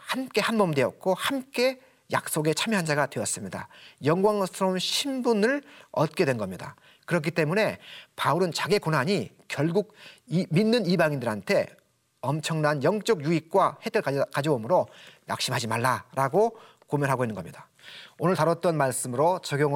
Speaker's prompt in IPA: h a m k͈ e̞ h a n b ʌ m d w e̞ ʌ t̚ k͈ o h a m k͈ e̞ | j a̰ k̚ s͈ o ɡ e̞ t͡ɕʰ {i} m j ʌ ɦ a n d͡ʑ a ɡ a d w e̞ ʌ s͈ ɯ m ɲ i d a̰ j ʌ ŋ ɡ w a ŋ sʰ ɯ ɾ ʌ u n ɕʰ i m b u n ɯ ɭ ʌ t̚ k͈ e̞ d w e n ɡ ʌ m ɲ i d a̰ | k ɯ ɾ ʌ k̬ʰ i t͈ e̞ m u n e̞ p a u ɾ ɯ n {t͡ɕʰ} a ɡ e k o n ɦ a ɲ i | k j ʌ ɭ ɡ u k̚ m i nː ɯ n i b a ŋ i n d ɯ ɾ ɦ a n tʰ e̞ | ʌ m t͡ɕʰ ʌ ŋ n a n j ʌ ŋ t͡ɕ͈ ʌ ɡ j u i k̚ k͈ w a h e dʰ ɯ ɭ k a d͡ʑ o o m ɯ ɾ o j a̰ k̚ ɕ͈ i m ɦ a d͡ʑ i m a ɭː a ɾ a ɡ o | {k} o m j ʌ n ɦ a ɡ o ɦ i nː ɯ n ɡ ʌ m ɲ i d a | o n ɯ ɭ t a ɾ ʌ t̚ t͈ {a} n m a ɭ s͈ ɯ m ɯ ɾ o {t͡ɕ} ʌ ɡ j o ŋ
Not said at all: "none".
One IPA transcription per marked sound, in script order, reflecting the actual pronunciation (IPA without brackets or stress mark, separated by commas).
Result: a, t͡ɕ, k, ʌ, t͡ɕ